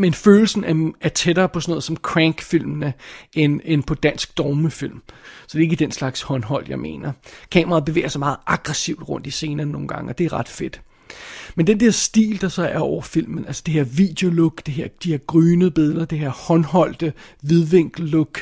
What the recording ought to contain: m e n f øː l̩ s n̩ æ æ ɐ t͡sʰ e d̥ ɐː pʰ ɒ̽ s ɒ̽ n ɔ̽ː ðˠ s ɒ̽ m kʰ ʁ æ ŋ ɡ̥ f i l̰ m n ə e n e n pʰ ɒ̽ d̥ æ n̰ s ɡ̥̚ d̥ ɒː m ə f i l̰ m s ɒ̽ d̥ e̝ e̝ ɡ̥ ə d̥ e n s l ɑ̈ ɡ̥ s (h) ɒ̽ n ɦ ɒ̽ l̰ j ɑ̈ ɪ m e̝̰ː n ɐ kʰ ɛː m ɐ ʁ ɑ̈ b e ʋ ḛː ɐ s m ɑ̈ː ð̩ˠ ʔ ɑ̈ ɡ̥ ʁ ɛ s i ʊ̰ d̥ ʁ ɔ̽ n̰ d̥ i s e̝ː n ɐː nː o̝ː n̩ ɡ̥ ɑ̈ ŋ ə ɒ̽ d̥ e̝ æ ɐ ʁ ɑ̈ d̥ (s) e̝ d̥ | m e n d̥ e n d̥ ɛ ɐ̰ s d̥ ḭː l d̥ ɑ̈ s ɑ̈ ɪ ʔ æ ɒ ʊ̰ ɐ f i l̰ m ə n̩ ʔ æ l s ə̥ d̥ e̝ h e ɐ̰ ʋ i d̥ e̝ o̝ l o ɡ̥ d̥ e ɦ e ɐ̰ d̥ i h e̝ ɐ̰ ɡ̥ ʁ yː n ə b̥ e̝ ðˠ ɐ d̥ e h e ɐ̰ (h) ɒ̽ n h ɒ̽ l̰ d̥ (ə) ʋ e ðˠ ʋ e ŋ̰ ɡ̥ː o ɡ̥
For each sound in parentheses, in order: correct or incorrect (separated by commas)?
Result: correct, incorrect, correct, correct